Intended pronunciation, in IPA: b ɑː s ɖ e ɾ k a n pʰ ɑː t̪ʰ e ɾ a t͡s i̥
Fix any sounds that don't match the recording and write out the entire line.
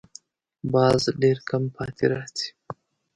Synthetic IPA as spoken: b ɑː z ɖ e ɾ k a m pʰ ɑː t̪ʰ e ɾ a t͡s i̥

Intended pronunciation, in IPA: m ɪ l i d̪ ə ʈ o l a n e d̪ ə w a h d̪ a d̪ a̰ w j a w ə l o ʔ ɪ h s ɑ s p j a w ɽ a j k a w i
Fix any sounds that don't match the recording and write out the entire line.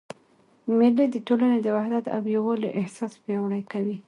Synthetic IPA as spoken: m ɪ l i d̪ ə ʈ o l a n e d̪ ə w a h d̪ a t̪ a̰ w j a w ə l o ʔ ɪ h s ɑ s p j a w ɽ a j k a w i

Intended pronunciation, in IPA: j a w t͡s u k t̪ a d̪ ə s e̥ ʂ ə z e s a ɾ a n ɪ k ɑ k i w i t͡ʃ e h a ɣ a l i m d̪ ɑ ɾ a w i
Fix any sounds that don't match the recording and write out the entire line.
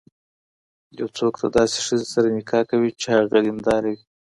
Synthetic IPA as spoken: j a w t͡s o k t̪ a d̪ ɑ s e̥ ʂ ə z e s a ɾ a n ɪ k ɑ k a w i t͡ʃ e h a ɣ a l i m d̪ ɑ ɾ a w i

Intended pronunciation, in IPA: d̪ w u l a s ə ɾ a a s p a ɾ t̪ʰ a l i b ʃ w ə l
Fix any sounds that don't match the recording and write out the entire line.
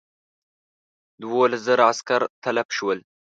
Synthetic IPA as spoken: d̪ w o l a z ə ɾ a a s k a ɾ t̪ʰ a l a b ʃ w ə l

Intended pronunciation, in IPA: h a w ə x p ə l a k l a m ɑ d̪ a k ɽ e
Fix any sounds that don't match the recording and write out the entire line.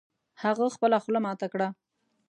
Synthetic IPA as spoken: h a ɣ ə x p ə l a x l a m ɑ t̪ a k ɽ a

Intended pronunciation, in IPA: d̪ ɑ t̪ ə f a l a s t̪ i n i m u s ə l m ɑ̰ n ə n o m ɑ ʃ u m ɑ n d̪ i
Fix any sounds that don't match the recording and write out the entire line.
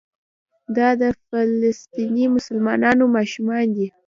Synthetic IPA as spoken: d̪ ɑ d̪ ə f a l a s t̪ i n i m ʊ s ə l m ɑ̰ n ɑ n o m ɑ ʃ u m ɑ n d̪ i

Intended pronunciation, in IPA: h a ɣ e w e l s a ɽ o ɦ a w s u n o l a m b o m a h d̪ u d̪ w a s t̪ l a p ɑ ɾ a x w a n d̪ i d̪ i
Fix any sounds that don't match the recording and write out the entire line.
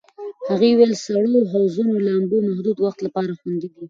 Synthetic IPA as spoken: h a ɣ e w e l s a ɽ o ɦ a w z u n o l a m b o m a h d̪ u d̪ w a x t̪ l a p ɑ ɾ a x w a n d̪ i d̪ i

